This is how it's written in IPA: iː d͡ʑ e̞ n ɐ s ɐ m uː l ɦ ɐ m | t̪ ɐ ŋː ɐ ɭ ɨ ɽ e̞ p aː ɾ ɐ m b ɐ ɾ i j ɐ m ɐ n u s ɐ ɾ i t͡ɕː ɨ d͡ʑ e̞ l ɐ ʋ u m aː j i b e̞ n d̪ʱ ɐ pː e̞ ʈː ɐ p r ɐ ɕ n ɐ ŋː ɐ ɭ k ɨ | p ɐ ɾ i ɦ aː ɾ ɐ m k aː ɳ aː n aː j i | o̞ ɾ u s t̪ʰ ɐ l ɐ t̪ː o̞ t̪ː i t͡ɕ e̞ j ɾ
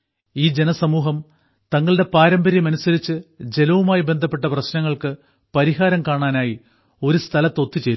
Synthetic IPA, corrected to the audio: iː d͡ʑ e̞ n ɐ s ɐ m uː ɦ ɐ m | t̪ ɐ ŋː ɐ ɭ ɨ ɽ e̞ p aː ɾ ɐ m b ɐ ɾ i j ɐ m ɐ n u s ɐ ɾ i t͡ɕː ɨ d͡ʑ e̞ l ɐ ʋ u m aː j i b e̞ n d̪ʱ ɐ pː e̞ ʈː ɐ p r ɐ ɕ n ɐ ŋː ɐ ɭ k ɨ | p ɐ ɾ i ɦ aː ɾ ɐ m k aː ɳ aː n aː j i | o̞ ɾ u s t̪ʰ ɐ l ɐ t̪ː o̞ t̪ː i t͡ɕ e̞ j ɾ

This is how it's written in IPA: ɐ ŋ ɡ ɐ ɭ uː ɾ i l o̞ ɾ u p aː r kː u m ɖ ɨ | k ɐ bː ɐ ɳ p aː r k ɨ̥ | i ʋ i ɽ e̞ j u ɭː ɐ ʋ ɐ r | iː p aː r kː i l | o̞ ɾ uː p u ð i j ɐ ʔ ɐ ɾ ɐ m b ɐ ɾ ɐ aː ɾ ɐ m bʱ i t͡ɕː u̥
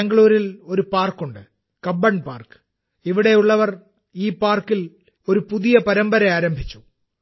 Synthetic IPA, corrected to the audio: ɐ ŋ ɡ ɐ ɭ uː ɾ i l o̞ ɾ u p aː r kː u ɳ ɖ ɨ | k ɐ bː ɐ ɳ p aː r k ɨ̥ | i ʋ i ɽ e̞ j u ɭː ɐ ʋ ɐ r | iː p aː r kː i l | o̞ ɾ u p u ð i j ɐ p ɐ ɾ ɐ m b ɐ ɾ ɐ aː ɾ ɐ m bʱ i t͡ɕː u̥

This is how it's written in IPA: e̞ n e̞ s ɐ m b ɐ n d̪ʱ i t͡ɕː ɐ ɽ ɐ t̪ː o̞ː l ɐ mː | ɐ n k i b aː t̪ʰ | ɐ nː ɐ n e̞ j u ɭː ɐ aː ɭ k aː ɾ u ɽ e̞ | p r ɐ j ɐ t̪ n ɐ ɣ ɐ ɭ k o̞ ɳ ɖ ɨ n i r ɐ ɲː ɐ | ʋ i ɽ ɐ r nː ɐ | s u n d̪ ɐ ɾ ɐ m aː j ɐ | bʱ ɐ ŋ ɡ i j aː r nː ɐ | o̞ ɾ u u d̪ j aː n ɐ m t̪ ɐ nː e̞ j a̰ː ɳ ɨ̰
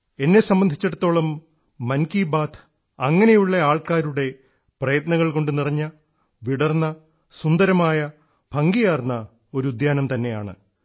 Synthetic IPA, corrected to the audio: e̞ nː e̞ s ɐ m b ɐ n d̪ʱ i t͡ɕː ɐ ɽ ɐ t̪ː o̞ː ɭ ɐ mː | ɐ n k i b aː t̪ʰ | ɐ ŋː ɐ n e̞ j u ɭː ɐ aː ɭ k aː ɾ u ɽ e̞ | p r ɐ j ɐ t̪ n ɐ ɣ ɐ ɭ k o̞ ɳ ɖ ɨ n i r ɐ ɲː ɐ | ʋ i ɽ ɐ r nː ɐ | s u n d̪ ɐ ɾ ɐ m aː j ɐ | bʱ ɐ ŋ ɡ i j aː r nː ɐ | o̞ ɾ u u d̪ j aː n ɐ m t̪ ɐ nː e̞ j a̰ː ɳ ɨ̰

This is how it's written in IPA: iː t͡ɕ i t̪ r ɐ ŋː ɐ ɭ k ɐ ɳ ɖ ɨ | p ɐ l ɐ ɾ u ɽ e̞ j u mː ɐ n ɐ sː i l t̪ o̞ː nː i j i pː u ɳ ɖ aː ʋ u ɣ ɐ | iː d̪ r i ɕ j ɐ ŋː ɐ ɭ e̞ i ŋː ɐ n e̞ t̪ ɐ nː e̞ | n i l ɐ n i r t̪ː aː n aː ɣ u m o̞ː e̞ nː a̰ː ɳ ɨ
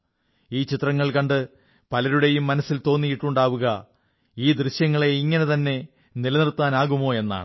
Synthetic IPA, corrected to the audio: iː t͡ɕ i t̪ r ɐ ŋː ɐ ɭ k ɐ ɳ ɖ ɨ | p ɐ l ɐ ɾ u ɽ e̞ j u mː ɐ n ɐ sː i l t̪ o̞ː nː i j i ʈː u ɳ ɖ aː ʋ u ɣ ɐ | iː d̪ r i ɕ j ɐ ŋː ɐ ɭ e̞ i ŋː ɐ n e̞ t̪ ɐ nː e̞ | n i l ɐ n i r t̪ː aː n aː ɣ u m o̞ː e̞ nː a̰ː ɳ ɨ

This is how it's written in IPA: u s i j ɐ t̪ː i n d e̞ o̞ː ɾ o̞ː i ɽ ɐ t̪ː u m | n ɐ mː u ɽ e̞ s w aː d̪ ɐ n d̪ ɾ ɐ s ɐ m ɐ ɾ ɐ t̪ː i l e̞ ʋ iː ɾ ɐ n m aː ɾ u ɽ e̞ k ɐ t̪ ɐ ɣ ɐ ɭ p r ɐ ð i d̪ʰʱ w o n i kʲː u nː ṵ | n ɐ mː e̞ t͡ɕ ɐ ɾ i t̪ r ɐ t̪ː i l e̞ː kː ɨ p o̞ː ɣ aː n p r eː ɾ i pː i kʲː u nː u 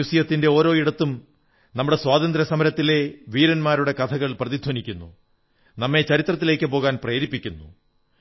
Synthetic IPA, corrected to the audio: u s i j ɐ t̪ː i n d e̞ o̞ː ɾ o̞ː i ɽ ɐ t̪ː u m | n ɐ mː u ɽ e̞ s w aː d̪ ɐ n d̪ ɾ ɐ s ɐ m ɐ ɾ ɐ t̪ː i l e̞ ʋ iː ɾ ɐ n m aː ɾ u ɽ e̞ k ɐ t̪ʰ ɐ ɣ ɐ ɭ p r ɐ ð i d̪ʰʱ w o n i kʲː u nː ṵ | n ɐ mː e̞ t͡ɕ ɐ ɾ i t̪ r ɐ t̪ː i l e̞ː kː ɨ p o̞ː ɣ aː n p r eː ɾ i pː i kʲː u nː u

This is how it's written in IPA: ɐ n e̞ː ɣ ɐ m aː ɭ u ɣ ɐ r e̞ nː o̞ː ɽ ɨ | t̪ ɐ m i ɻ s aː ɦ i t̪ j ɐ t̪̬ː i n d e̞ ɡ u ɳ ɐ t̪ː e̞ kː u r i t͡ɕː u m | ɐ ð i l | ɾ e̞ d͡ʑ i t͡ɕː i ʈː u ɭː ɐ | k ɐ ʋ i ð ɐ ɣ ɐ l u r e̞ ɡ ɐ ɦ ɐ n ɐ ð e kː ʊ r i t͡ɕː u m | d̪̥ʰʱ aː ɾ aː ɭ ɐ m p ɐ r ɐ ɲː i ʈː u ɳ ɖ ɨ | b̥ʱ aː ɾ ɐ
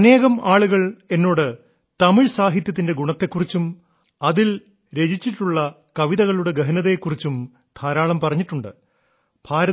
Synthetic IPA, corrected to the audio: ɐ n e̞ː ɣ ɐ m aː ɭ u ɣ ɐ ɭ e̞ nː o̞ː ɽ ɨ | t̪ ɐ m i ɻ s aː ɦ i t̪ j ɐ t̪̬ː i n d e̞ ɡ u ɳ ɐ t̪ː e̞ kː u r i t͡ɕː u m | ɐ ð i l | ɾ e̞ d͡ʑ i t͡ɕː i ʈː u ɭː ɐ | k ɐ ʋ i ð ɐ ɣ ɐ ɭ u ɽ e̞ ɡ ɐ ɦ ɐ n ɐ ð e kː u r i t͡ɕː u m | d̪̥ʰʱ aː ɾ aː ɭ ɐ m p ɐ r ɐ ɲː i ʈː u ɳ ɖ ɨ | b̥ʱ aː ɾ ɐ

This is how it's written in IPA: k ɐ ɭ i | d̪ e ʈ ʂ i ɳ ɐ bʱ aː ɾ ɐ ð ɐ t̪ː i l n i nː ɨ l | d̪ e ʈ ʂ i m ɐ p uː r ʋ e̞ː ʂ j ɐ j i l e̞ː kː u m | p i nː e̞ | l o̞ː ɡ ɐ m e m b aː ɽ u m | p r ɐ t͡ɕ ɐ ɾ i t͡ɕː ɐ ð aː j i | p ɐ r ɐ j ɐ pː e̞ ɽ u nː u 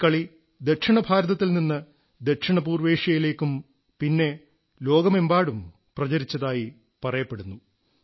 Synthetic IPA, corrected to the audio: k ɐ ɭ i | d̪ e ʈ ʂ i ɳ ɐ bʱ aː ɾ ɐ ð ɐ t̪ː i l n i nː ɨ | d̪ e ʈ ʂ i ɳ ɐ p uː r ʋ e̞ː ʂ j ɐ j i l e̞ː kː u m | p i nː e̞ | l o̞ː ɡ ɐ m e m b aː ɽ u m | p r ɐ t͡ɕ ɐ ɾ i t͡ɕː ɐ ð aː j i | p ɐ r ɐ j ɐ pː e̞ ɽ u nː u

